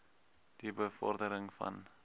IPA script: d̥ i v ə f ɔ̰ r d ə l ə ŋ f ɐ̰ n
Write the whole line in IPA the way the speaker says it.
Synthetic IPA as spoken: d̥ i b ə f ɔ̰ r d ə ɾ ə ŋ f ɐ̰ n